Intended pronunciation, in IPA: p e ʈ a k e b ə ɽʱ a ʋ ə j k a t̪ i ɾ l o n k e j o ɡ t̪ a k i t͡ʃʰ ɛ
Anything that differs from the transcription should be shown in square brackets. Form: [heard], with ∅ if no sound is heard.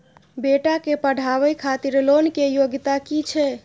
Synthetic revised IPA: [b] e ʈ a k e [p] ə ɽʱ a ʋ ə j [kʰ] a t̪ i ɾ l o n k e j o ɡ t̪ a k i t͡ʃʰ ɛ